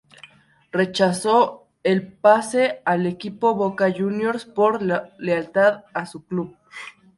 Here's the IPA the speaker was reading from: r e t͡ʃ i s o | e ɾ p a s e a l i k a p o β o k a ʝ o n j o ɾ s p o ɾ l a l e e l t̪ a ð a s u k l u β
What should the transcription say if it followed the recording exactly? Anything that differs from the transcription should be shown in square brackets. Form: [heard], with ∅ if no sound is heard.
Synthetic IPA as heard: r e t͡ʃ [a] s o | e [l] p a s e a l [e] k [i] p o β o k a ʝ [u] n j o ɾ s p o ɾ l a l e [a] l t̪ a ð a s u k l u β